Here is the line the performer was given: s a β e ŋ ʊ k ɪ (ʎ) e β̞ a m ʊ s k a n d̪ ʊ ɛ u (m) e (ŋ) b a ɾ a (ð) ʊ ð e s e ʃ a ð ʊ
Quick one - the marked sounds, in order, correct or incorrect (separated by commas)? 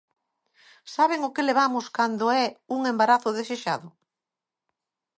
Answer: incorrect, incorrect, incorrect, incorrect